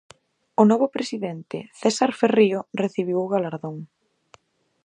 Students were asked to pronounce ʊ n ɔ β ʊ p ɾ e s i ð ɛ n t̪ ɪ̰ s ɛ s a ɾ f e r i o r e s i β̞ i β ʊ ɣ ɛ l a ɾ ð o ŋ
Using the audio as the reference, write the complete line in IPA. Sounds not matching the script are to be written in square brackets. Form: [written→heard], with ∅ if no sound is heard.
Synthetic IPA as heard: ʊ n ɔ β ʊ p ɾ e s i ð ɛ n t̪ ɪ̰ [s→θ] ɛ s a ɾ f e r i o r e [s→θ] i β̞ i [β→w] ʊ ɣ [ɛ→a] l a ɾ ð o ŋ